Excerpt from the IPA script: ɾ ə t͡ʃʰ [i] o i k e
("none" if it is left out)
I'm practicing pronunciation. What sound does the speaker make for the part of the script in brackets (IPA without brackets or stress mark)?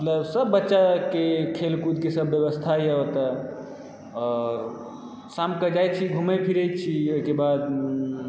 i